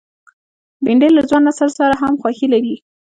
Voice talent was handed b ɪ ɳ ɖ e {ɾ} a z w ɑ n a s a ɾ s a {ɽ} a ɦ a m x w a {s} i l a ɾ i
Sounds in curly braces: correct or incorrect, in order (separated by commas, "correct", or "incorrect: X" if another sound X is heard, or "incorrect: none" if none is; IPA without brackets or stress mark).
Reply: incorrect: l, incorrect: ɾ, incorrect: x